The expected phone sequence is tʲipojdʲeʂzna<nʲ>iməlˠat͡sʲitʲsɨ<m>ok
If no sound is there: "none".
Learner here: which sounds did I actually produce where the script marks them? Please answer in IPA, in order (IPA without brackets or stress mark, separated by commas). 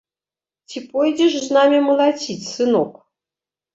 mʲ, n